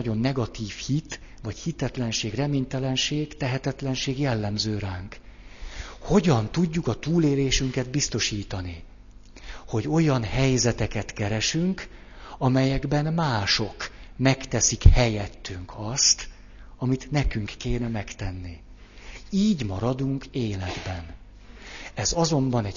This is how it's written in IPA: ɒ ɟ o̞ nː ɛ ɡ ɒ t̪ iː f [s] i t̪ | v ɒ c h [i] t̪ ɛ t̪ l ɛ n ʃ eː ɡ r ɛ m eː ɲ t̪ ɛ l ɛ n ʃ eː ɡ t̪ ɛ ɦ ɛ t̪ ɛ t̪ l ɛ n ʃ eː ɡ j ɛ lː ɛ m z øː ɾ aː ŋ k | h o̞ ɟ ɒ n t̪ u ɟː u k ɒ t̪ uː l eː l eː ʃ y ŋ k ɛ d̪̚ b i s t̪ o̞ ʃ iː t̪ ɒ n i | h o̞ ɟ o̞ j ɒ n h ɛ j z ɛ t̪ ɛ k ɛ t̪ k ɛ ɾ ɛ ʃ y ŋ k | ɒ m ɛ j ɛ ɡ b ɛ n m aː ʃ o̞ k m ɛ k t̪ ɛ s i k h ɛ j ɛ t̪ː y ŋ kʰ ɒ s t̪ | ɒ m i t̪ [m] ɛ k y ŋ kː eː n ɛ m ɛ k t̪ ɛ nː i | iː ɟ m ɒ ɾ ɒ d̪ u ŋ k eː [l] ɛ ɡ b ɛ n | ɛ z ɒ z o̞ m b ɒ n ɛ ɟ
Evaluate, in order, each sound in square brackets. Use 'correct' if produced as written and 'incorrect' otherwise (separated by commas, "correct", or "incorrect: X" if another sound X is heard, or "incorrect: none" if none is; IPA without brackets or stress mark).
incorrect: h, correct, incorrect: n, correct